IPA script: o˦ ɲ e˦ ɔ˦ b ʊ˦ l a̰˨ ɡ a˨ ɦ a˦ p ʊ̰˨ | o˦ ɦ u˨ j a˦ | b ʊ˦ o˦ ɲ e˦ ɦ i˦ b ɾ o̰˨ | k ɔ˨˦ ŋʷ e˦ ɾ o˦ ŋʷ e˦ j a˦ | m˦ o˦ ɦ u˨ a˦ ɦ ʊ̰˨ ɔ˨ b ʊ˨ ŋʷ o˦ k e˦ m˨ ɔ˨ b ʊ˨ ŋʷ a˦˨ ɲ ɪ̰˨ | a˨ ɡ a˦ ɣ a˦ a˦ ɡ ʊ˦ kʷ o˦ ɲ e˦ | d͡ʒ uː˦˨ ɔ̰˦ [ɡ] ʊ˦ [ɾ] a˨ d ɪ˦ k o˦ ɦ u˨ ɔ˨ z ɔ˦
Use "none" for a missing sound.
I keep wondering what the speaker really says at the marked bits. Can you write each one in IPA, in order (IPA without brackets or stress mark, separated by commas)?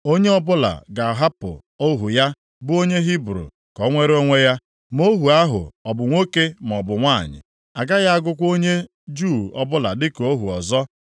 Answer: b, l